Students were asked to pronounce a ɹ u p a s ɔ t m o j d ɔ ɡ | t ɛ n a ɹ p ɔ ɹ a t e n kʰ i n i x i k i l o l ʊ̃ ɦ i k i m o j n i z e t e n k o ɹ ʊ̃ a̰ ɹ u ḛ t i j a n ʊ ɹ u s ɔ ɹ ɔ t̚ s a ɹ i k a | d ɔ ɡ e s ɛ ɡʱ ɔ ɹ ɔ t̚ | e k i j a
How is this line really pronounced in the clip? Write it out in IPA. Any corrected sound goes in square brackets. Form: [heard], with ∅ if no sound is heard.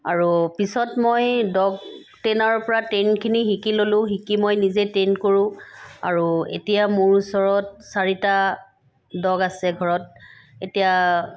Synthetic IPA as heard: a ɹ u p [i] s ɔ t m o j d ɔ ɡ | t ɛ n a ɹ p ɔ ɹ a t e n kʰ i n i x i k i l o l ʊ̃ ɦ i k i m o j n i z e t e n k o ɹ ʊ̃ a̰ ɹ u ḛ t i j a [m] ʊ ɹ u s ɔ ɹ ɔ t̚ s a ɹ i [t] a | d ɔ ɡ [a] s ɛ ɡʱ ɔ ɹ ɔ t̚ | e [t] i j a